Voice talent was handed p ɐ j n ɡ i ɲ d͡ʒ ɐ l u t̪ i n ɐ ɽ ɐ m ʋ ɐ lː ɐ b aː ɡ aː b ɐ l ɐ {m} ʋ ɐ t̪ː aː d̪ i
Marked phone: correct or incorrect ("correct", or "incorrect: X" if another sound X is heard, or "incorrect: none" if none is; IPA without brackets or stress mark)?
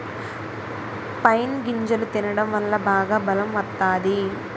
correct